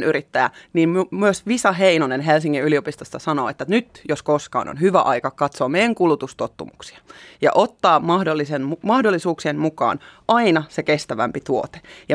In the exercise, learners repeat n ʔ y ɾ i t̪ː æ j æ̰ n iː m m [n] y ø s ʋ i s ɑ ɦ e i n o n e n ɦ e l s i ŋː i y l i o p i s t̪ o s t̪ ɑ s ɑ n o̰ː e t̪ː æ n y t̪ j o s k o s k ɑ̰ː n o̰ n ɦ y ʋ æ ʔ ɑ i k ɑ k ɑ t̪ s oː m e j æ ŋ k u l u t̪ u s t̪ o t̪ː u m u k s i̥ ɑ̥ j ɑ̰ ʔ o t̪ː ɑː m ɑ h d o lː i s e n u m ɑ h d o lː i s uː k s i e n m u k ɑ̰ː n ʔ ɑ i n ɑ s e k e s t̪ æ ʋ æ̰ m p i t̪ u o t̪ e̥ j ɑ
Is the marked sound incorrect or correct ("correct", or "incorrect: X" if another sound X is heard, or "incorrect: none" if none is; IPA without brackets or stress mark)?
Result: incorrect: m